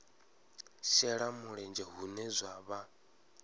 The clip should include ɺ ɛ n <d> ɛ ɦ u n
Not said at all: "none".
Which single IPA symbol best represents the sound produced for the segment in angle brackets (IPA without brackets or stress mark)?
d͡ʒ